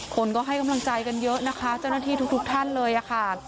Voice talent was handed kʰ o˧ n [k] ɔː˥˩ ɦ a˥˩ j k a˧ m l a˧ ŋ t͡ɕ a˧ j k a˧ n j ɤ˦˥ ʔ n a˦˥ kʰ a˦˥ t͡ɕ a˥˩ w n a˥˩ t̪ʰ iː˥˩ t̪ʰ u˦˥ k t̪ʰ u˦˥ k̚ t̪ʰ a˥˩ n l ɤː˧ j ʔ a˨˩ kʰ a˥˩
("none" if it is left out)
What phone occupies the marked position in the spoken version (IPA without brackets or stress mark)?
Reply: k